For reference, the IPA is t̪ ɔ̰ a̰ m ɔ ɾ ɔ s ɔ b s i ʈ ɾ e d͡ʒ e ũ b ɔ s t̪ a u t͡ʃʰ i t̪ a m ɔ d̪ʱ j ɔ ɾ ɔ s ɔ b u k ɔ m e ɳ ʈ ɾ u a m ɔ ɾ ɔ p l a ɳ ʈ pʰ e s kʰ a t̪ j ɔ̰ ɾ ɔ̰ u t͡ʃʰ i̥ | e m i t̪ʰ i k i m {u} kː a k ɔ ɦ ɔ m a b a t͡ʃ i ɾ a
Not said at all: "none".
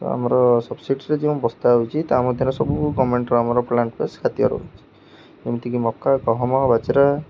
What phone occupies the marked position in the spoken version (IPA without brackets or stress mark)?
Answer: ɔ